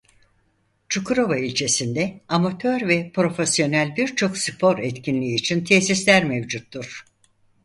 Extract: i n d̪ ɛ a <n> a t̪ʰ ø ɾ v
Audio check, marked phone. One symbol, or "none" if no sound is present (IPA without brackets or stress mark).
m